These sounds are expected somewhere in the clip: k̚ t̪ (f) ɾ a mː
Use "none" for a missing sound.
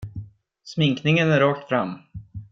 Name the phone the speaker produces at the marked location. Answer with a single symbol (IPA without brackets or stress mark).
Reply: f